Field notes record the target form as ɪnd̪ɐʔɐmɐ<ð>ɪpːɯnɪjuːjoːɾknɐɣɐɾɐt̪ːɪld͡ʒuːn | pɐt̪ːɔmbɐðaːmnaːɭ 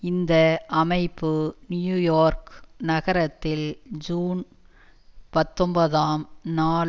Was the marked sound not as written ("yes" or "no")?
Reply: yes